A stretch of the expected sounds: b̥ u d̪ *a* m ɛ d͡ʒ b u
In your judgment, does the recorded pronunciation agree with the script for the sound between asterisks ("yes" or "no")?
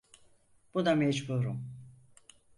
yes